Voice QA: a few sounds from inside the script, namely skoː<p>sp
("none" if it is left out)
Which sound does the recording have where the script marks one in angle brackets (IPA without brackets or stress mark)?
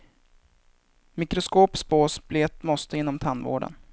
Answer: p